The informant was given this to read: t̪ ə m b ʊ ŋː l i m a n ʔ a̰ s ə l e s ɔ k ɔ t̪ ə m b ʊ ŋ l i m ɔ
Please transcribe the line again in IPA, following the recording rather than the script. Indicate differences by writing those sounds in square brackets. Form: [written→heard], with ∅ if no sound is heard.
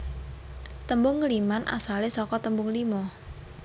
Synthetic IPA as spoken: t̪ ə m b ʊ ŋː l i m a n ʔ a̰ s [ə→a] l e s ɔ k ɔ t̪ ə m b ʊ ŋ l i m ɔ